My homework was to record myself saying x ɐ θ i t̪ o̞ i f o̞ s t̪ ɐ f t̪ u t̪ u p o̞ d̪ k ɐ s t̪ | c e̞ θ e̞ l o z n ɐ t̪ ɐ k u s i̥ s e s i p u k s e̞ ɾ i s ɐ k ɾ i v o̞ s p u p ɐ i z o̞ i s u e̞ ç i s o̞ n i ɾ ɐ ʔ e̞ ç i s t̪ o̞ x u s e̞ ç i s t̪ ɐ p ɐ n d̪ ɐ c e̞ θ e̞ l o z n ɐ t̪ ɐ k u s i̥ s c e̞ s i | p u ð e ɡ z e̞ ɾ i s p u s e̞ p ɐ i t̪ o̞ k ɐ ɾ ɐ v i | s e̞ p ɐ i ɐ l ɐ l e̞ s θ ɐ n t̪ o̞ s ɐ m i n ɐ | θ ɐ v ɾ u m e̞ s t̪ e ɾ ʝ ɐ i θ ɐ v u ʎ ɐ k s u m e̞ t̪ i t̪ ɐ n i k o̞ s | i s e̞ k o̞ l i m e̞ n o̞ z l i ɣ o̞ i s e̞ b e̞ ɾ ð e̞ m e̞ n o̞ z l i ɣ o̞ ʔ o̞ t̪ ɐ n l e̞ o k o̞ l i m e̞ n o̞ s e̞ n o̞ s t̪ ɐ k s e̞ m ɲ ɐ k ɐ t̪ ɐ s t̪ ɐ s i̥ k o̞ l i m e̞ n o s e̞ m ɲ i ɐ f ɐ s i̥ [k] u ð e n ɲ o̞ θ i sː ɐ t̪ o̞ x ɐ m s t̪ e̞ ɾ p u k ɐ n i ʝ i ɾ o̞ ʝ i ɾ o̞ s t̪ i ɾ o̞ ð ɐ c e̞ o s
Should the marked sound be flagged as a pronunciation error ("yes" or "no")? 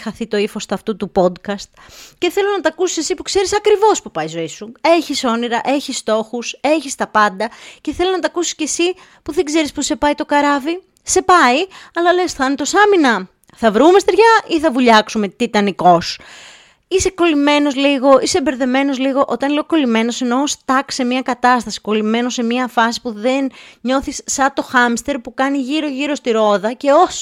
yes